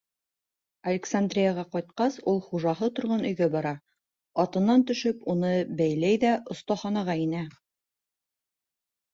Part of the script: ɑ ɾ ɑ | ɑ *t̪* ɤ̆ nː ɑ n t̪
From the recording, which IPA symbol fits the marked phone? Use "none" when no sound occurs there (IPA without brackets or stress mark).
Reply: t̪